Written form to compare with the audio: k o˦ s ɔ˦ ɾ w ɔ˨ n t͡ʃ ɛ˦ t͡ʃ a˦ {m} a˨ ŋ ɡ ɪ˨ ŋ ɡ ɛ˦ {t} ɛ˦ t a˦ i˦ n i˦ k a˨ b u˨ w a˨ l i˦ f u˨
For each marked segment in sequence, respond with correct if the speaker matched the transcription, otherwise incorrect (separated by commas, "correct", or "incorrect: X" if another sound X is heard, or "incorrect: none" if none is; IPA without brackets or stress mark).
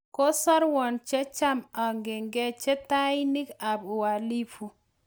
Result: correct, incorrect: t͡ʃ